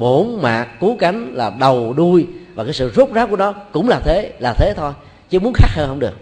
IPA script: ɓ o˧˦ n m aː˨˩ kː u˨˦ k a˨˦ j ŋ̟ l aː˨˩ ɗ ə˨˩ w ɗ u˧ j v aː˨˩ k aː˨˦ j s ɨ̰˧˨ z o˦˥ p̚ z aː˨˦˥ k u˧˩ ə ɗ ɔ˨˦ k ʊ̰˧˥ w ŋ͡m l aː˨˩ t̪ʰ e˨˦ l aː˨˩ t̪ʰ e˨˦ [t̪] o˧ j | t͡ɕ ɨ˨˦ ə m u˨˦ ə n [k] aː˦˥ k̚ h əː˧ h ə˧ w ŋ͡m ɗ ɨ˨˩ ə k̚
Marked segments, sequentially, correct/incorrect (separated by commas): incorrect, incorrect